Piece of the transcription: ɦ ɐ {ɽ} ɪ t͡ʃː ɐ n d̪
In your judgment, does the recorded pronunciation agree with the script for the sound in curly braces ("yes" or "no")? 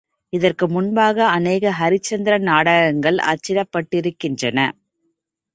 no